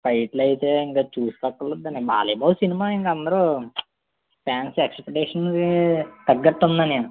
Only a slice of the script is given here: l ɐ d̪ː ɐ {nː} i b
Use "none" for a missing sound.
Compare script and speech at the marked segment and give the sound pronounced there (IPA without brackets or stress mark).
n